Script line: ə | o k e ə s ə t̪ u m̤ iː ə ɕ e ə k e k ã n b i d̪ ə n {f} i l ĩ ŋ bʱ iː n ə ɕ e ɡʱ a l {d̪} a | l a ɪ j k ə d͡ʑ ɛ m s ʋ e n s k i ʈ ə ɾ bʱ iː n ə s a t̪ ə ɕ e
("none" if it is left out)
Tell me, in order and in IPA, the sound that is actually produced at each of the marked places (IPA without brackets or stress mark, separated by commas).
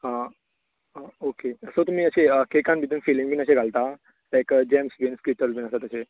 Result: f, t̪